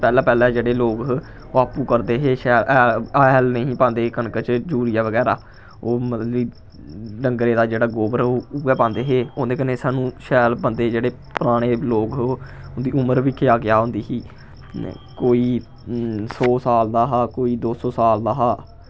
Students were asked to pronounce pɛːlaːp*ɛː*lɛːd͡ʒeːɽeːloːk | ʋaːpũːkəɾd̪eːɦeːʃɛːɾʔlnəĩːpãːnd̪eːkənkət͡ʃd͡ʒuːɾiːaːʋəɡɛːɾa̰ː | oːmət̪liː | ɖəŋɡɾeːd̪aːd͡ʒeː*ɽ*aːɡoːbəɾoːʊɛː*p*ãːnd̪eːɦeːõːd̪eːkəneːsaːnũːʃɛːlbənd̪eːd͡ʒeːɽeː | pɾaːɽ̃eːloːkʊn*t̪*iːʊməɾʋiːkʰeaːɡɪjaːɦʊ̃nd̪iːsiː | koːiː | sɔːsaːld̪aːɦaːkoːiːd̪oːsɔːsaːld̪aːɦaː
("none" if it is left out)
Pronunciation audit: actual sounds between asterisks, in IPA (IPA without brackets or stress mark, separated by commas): ɛː, ɽ, p, d̪